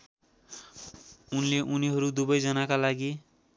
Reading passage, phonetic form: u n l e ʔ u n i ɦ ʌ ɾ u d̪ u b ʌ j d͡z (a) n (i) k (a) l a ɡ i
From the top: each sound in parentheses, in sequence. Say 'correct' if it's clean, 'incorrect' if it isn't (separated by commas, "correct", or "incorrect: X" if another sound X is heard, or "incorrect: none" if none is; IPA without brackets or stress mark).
incorrect: ʌ, incorrect: a, correct